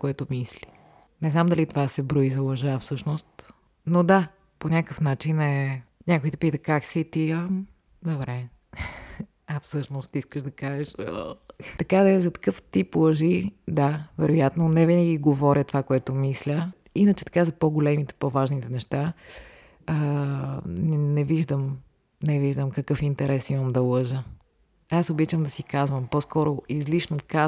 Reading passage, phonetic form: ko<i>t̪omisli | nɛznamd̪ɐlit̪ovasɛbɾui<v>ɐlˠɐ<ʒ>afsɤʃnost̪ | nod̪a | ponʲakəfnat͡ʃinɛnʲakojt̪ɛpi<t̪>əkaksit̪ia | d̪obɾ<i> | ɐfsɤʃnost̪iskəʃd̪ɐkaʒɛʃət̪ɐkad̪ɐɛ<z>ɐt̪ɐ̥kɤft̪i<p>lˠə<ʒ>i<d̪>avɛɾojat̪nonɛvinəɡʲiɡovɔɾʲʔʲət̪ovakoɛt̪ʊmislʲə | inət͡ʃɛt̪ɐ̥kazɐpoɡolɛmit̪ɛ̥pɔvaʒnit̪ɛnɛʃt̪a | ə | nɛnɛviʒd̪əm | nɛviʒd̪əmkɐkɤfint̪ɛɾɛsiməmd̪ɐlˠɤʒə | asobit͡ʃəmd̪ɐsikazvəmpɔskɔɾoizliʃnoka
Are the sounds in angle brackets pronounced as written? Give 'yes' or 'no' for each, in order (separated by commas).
no, no, yes, yes, no, yes, yes, yes, yes